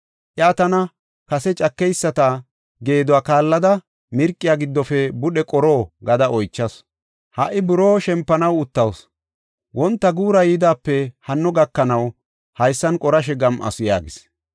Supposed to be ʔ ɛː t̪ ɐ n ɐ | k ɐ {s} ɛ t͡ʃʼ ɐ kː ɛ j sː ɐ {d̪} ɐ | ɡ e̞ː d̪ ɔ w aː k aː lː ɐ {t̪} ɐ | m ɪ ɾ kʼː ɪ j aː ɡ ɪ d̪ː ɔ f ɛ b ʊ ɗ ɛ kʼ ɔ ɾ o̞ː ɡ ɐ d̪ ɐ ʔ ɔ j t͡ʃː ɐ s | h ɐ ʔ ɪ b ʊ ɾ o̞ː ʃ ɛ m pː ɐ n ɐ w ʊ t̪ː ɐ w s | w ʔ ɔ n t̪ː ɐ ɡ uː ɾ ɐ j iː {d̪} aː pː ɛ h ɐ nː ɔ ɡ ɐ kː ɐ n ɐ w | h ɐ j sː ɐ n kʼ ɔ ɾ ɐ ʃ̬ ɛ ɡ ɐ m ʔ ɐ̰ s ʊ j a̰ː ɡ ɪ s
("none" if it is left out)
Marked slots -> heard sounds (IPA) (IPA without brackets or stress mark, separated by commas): s, t̪, d̪, d̪